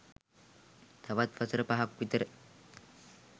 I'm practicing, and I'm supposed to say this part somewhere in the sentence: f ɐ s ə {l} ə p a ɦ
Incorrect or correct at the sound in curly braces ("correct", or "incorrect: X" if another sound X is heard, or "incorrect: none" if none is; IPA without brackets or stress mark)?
incorrect: ɾ